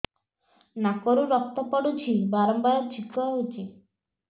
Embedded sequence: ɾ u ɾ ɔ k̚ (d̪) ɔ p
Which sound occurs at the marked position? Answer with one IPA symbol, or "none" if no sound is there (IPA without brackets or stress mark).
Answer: t̪